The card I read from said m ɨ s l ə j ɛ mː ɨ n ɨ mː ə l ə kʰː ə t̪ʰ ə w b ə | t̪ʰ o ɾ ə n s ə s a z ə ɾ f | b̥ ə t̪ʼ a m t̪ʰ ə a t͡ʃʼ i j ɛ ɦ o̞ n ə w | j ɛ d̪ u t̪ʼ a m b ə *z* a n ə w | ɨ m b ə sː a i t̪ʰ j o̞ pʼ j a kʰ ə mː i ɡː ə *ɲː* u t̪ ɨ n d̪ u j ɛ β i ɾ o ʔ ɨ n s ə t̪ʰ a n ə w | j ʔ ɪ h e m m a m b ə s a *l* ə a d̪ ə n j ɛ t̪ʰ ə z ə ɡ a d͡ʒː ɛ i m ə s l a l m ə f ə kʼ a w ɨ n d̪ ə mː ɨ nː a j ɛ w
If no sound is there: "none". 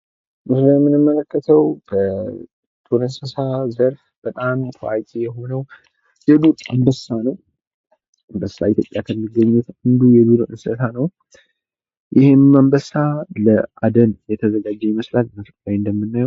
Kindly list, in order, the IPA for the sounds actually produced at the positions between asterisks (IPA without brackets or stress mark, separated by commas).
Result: s, ɲː, l